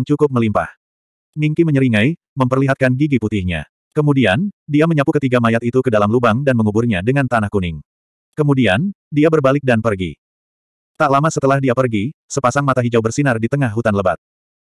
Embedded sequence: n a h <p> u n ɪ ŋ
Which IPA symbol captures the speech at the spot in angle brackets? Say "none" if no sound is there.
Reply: k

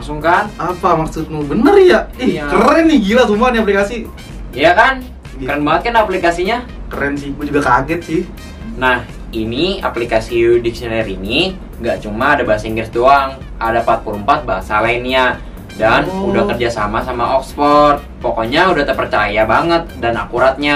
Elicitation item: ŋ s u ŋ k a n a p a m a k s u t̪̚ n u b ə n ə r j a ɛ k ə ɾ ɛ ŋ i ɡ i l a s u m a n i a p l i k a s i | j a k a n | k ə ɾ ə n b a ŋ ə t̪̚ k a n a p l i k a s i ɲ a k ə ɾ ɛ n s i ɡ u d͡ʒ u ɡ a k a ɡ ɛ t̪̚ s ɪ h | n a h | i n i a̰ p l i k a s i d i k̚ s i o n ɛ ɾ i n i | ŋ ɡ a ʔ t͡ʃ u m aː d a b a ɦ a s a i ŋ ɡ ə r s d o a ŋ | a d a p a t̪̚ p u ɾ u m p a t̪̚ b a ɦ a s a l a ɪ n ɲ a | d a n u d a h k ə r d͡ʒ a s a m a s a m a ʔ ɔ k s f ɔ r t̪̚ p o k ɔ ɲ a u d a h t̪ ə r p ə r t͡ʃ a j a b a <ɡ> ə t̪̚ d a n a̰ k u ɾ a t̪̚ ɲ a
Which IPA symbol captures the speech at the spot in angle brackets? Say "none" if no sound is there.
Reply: ŋ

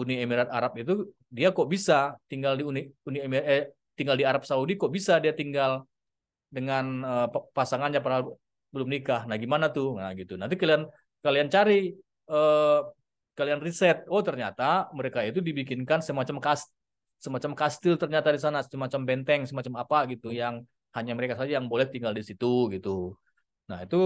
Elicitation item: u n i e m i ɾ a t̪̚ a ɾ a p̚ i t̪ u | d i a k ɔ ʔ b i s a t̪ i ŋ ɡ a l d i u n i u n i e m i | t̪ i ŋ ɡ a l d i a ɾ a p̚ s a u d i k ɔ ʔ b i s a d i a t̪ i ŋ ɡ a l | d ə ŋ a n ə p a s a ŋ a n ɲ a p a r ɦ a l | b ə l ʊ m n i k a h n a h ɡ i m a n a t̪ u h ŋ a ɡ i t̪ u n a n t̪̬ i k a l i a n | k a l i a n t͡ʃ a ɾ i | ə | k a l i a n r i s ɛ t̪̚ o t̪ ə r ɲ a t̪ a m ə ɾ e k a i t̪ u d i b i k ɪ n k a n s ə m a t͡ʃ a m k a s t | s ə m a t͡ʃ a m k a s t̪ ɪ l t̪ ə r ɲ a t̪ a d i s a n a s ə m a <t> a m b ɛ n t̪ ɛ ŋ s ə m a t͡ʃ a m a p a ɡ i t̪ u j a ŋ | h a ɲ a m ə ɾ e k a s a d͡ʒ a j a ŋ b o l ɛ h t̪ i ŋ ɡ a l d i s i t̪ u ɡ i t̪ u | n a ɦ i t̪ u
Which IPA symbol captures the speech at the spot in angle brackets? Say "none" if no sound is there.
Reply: t͡ʃ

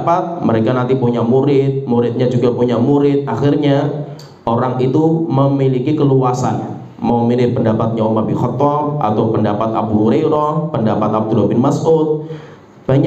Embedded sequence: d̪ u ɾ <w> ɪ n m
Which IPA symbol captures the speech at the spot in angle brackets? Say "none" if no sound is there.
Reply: b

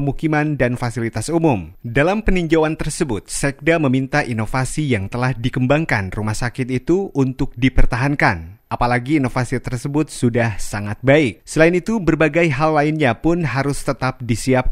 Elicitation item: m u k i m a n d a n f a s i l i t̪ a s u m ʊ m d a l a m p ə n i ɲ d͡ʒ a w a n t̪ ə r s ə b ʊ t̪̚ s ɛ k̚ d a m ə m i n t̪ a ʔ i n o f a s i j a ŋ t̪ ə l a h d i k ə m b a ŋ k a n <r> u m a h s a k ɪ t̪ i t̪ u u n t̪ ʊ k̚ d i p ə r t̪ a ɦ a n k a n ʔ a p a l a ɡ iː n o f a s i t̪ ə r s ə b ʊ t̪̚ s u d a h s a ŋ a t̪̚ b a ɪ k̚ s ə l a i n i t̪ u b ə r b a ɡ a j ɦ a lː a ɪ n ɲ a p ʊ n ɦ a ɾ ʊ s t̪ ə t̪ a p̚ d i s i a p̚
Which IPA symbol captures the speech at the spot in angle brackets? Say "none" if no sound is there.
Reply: r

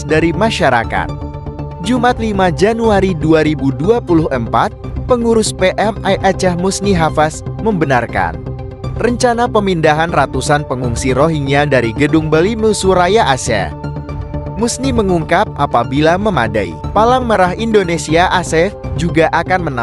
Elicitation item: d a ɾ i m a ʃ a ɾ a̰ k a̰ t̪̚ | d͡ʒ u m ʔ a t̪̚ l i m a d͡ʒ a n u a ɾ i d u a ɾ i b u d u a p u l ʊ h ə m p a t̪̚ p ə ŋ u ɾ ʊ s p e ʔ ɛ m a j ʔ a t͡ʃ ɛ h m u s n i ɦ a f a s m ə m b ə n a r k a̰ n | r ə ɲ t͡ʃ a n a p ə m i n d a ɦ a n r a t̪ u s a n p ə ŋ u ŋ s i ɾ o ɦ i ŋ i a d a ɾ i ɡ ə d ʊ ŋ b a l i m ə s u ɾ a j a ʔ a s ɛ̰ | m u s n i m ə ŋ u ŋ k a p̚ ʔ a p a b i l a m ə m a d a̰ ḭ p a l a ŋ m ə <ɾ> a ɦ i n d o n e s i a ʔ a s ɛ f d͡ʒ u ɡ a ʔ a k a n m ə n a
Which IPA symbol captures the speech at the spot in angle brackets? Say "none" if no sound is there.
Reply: ɾ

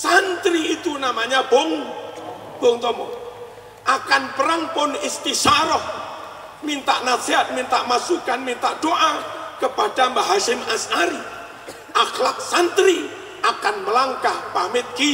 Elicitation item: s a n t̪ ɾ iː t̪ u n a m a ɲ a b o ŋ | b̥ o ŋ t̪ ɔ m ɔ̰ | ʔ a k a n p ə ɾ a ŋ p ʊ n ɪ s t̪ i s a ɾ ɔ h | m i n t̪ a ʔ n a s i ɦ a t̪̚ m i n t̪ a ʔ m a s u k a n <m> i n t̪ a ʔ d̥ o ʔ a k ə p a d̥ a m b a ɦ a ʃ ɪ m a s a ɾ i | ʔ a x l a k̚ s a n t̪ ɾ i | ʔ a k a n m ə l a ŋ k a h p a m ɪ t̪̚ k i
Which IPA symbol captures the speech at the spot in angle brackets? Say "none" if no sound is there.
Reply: m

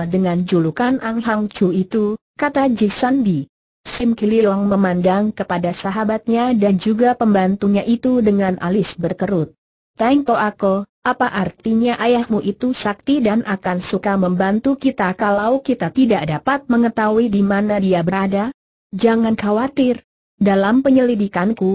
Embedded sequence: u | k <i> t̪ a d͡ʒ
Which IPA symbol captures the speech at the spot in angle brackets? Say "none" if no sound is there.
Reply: a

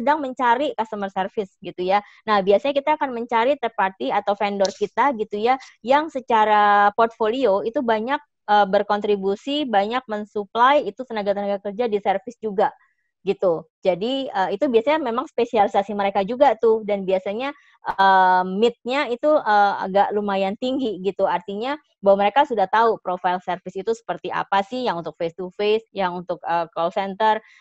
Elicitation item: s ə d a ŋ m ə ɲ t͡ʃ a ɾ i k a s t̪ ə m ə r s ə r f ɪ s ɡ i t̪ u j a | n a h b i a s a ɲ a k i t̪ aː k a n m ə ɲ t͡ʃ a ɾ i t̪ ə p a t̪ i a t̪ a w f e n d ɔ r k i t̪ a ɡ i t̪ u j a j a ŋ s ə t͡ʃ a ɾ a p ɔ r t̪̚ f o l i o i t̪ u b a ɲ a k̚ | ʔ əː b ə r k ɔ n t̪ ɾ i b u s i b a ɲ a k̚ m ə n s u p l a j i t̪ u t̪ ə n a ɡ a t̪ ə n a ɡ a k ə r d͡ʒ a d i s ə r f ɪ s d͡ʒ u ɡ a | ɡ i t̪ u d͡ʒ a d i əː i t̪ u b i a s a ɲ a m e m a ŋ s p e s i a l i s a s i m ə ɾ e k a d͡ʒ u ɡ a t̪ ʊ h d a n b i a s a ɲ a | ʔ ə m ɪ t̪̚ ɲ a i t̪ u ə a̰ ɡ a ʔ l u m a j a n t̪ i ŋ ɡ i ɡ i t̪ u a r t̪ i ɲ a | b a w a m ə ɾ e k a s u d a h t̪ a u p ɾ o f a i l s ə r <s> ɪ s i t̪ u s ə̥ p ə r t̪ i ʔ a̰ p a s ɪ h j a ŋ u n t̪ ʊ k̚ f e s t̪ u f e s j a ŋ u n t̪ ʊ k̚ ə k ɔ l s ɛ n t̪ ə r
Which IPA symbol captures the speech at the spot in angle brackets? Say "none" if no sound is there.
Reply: f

